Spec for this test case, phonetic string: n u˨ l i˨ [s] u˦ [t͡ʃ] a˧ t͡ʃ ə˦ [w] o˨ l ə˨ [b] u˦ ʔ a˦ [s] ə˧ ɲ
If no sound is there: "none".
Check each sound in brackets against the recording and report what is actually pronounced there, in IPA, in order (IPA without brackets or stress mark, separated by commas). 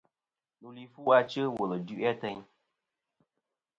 f, none, w, d, t